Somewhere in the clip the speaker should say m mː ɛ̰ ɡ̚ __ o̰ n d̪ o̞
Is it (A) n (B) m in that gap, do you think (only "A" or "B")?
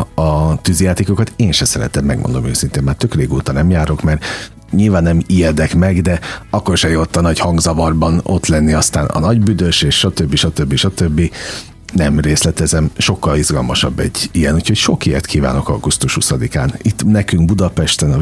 B